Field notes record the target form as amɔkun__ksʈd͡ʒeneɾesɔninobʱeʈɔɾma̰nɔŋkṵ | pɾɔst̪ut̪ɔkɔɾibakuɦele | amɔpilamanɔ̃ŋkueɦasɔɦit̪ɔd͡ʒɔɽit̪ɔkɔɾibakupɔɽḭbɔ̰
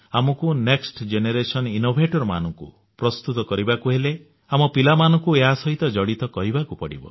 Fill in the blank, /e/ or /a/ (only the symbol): e